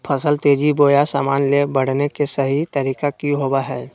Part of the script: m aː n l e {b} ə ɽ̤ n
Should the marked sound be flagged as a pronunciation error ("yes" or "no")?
no